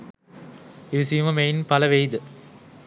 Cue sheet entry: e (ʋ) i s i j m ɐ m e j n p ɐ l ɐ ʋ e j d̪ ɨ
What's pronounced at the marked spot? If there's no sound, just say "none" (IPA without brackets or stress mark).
ʋ